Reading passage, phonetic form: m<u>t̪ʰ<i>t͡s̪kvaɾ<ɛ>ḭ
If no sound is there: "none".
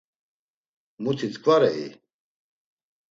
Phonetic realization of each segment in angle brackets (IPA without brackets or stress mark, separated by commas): u, i, ɛ